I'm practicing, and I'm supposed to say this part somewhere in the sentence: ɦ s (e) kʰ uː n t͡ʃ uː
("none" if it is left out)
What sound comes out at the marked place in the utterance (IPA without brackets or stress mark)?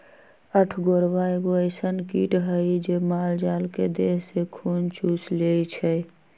e